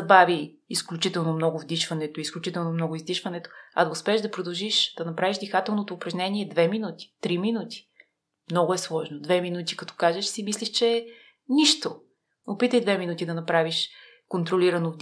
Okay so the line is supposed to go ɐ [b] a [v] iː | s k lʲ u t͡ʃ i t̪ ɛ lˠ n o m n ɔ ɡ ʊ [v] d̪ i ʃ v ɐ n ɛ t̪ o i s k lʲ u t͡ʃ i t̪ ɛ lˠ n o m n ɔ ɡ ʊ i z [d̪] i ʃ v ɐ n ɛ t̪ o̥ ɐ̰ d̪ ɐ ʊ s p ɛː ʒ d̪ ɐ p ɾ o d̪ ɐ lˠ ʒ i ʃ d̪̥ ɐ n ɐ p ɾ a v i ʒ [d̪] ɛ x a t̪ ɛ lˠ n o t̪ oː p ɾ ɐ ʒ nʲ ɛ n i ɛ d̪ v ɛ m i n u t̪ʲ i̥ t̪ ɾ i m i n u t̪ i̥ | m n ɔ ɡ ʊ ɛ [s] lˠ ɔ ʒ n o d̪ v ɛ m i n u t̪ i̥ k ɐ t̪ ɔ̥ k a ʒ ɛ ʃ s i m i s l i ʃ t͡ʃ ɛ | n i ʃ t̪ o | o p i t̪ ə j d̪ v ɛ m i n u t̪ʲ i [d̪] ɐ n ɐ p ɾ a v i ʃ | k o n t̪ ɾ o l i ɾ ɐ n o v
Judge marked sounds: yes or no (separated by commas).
yes, yes, yes, yes, yes, yes, yes